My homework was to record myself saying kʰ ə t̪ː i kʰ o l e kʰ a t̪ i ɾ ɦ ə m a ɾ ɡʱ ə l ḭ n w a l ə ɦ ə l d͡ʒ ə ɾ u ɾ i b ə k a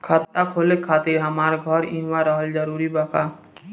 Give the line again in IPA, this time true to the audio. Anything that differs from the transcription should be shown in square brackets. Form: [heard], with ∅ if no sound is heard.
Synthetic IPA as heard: kʰ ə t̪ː [a] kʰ o l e kʰ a t̪ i ɾ ɦ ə m a ɾ ɡʱ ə [ɾ] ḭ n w a [ɾ] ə ɦ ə l d͡ʒ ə ɾ u ɾ i b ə k a